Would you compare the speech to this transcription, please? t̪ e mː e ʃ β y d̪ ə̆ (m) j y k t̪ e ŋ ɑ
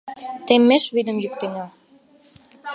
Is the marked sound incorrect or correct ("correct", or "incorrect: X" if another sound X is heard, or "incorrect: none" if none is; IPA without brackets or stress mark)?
correct